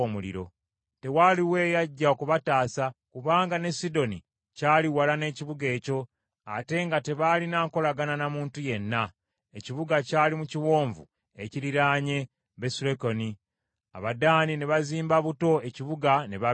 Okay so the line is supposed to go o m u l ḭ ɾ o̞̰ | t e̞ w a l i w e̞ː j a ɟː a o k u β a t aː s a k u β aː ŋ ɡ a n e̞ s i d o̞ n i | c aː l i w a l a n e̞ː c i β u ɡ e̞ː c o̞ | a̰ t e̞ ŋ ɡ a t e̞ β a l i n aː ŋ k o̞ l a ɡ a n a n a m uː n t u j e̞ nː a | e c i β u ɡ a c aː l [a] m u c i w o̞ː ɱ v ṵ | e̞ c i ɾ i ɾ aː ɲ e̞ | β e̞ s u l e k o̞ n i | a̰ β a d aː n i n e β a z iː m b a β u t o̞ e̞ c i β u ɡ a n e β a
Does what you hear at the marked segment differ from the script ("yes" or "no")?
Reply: yes